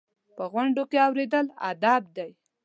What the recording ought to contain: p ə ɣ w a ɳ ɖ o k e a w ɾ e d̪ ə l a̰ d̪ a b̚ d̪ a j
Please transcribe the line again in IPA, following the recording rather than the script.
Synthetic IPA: p ə ɣ w a ɳ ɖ o k e a w ɾ e d̪ ə l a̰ d̪ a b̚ d̪ a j